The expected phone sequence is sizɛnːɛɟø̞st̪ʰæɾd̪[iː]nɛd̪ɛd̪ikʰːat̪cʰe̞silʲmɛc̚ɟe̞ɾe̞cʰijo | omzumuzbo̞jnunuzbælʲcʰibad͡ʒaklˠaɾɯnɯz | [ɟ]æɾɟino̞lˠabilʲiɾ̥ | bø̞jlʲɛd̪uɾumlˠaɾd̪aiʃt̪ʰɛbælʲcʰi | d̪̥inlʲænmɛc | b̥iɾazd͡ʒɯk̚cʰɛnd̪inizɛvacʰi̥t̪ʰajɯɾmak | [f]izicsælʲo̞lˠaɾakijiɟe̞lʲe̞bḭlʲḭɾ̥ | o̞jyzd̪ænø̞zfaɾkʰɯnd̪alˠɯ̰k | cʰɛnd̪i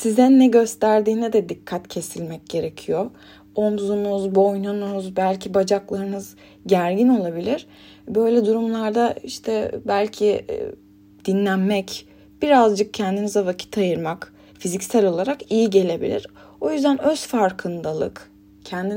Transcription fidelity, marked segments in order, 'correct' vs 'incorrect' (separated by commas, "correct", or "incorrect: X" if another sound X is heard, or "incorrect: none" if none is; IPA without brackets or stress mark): correct, correct, correct